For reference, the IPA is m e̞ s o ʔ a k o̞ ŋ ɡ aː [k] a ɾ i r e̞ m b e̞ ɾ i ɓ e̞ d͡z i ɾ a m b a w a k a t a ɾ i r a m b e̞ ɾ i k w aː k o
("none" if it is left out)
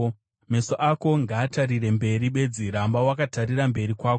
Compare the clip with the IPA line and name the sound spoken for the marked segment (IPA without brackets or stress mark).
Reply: t